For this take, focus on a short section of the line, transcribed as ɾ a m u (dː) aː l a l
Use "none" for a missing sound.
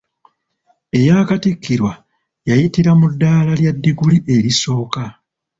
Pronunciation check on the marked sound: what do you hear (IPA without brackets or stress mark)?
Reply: dː